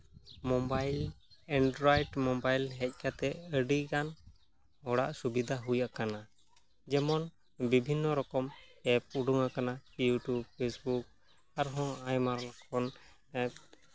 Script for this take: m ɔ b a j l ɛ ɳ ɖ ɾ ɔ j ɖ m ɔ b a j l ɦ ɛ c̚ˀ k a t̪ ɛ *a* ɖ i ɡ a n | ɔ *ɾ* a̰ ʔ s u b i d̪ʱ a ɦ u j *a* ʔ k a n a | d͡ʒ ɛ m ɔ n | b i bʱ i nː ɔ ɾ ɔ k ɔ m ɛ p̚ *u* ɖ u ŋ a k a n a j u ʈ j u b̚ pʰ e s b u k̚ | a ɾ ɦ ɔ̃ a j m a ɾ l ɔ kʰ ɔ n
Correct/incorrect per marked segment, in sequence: incorrect: ə, incorrect: ɽ, correct, correct

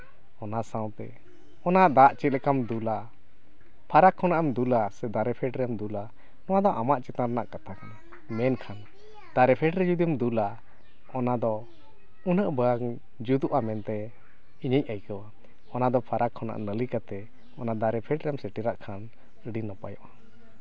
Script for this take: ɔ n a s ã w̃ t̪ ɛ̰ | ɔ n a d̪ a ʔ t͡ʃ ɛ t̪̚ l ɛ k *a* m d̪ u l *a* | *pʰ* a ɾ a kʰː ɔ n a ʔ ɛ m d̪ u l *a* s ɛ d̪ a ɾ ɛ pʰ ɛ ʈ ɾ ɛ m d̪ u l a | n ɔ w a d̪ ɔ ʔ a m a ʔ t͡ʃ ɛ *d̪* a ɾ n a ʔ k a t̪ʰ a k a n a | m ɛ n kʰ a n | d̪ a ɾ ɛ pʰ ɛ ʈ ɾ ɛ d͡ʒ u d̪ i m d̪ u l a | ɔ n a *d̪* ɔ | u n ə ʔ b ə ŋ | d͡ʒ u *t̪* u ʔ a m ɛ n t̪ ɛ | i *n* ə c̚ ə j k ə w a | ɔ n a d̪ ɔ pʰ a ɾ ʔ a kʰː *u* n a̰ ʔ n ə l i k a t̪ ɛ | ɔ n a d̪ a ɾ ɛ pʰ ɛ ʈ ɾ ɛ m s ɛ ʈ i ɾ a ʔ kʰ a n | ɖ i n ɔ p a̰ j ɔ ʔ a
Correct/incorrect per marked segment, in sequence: correct, correct, correct, correct, incorrect: t̪, correct, incorrect: d̪, incorrect: ɲ, incorrect: ɔ

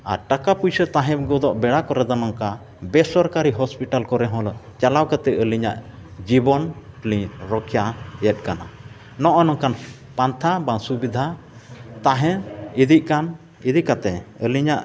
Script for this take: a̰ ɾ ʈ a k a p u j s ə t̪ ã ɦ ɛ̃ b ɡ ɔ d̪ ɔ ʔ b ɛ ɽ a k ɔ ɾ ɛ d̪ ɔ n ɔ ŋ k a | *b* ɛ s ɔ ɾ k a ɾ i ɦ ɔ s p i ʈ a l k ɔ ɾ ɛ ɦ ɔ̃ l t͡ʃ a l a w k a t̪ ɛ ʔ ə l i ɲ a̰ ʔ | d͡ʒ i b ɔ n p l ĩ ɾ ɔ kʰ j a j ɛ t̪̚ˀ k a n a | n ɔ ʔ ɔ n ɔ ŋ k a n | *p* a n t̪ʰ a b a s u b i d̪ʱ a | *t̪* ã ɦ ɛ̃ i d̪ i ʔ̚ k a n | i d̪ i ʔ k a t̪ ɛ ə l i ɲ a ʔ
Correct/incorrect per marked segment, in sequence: correct, correct, correct

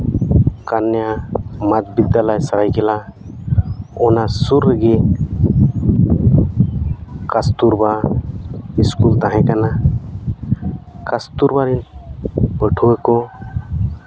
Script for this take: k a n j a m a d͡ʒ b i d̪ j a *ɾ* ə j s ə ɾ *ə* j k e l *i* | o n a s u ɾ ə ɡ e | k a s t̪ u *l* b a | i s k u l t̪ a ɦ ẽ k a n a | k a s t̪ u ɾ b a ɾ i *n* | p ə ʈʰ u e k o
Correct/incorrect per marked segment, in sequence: incorrect: l, incorrect: a, incorrect: a, incorrect: ɾ, correct

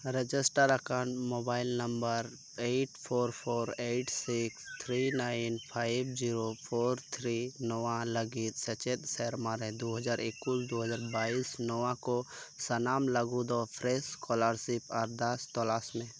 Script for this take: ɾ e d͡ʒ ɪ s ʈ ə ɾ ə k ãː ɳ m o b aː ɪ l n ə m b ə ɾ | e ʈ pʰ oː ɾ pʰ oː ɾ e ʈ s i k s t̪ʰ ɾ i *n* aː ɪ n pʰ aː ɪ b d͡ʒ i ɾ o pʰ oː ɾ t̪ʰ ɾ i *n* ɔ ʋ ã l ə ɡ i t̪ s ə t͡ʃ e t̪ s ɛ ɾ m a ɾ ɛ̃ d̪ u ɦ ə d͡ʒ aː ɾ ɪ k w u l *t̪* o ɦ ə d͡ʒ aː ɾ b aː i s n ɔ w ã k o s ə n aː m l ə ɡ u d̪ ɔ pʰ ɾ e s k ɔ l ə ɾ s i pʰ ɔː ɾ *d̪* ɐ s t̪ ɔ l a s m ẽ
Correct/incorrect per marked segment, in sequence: correct, correct, incorrect: d̪, correct

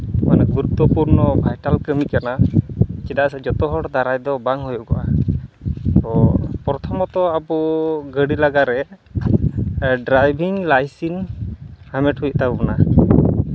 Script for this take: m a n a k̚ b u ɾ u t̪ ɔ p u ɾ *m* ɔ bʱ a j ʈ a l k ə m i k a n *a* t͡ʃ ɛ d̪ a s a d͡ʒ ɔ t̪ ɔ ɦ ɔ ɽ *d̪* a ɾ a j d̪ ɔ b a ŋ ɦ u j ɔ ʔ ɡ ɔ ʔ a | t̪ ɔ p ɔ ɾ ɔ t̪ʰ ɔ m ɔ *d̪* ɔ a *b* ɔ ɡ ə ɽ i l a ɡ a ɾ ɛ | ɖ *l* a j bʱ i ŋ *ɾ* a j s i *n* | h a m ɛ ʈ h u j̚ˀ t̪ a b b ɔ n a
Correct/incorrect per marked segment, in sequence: incorrect: n, correct, correct, incorrect: t̪, correct, incorrect: ɾ, incorrect: l, correct

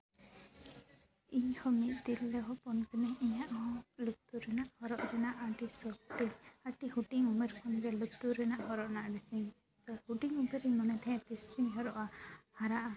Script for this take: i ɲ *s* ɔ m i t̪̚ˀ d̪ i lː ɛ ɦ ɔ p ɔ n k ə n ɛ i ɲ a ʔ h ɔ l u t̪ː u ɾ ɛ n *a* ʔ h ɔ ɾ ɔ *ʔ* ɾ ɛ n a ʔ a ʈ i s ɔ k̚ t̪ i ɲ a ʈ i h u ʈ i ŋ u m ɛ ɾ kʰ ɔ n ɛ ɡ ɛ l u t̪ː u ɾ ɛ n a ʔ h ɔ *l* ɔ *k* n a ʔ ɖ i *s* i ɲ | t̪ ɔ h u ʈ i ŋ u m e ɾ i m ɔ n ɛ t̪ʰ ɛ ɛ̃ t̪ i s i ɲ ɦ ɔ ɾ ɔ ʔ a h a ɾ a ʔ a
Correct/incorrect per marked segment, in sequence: incorrect: h, correct, correct, incorrect: ɾ, incorrect: ʔ, correct

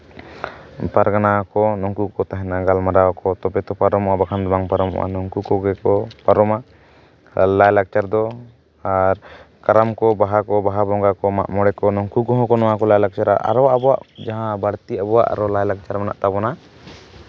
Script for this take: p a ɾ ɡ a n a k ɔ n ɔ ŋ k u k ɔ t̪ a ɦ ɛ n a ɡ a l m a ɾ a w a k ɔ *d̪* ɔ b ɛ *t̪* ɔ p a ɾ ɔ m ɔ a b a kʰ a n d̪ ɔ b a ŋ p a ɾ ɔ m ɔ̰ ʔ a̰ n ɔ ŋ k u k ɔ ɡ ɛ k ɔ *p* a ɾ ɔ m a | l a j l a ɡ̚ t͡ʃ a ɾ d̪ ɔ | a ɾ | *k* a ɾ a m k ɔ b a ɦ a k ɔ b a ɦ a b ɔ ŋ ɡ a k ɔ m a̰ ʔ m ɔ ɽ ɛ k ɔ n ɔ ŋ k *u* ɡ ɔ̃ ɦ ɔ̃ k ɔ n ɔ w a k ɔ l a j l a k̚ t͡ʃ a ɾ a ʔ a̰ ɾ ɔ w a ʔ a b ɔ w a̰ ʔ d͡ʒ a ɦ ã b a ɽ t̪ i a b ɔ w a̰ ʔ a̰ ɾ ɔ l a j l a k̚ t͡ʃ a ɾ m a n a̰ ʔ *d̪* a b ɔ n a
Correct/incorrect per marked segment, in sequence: incorrect: t̪, correct, correct, correct, correct, incorrect: t̪

